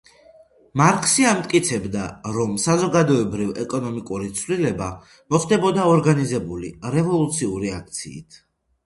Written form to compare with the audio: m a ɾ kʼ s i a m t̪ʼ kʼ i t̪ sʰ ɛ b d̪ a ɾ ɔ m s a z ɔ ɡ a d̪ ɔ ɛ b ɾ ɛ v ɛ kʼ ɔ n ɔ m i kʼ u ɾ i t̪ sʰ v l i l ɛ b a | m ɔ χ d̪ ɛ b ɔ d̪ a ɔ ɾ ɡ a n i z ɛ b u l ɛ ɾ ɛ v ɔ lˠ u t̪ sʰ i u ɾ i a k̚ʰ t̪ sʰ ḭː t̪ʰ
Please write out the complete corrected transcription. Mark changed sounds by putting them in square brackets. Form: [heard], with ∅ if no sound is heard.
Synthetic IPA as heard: m a ɾ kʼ s i a m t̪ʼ kʼ i t̪ sʰ ɛ b d̪ a ɾ ɔ m s a z ɔ ɡ a d̪ ɔ ɛ b ɾ [i] v ɛ kʼ ɔ n ɔ m i kʼ u ɾ i t̪ sʰ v l i l ɛ b a | m ɔ χ d̪ ɛ b ɔ d̪ a ɔ ɾ ɡ a n i z ɛ b u l [i] ɾ ɛ v ɔ lˠ u t̪ sʰ i u ɾ i a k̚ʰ t̪ sʰ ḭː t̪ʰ